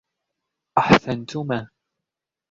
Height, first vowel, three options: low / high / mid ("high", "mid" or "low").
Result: low